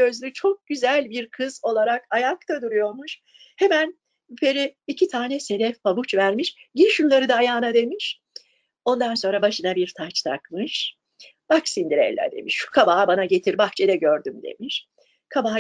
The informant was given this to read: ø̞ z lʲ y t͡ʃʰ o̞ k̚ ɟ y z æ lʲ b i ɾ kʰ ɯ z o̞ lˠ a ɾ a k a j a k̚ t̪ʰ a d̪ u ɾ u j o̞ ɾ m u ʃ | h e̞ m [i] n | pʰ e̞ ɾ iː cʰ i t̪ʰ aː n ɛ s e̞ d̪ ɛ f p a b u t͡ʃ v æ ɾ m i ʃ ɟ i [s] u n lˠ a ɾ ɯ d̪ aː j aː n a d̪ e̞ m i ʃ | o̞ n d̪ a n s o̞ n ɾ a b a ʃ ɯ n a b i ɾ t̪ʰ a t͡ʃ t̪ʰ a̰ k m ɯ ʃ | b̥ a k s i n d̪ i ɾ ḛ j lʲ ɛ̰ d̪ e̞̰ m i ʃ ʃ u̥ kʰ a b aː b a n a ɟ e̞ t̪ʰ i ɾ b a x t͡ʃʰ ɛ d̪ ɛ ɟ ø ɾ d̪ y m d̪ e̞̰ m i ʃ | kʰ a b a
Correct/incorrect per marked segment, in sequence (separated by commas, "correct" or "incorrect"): incorrect, incorrect